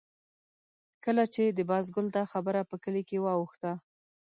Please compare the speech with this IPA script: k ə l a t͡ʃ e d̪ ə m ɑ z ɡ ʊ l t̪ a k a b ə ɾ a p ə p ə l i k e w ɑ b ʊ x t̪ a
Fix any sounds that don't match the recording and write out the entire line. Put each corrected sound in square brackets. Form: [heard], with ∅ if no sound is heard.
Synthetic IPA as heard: k ə l a t͡ʃ e d̪ ə [b] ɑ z ɡ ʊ l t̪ a [x] a b ə ɾ a p ə [k] ə l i k e w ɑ [w] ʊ x t̪ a